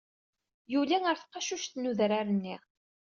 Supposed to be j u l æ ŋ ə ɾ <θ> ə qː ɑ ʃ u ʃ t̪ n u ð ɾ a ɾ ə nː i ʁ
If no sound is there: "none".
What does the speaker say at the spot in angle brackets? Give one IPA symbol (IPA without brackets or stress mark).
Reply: θ